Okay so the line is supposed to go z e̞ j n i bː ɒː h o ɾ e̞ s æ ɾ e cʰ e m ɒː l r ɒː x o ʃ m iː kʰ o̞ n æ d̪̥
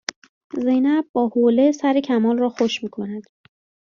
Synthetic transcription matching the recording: z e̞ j n æ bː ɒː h o l e̞ s æ ɾ e cʰ æ m ɒː l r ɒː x o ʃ m iː kʰ o̞ n æ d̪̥